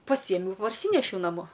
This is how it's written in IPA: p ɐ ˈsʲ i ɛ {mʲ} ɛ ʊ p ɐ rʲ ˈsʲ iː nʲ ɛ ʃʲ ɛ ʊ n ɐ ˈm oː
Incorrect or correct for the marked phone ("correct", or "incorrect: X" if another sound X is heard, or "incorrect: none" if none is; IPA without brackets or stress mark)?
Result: correct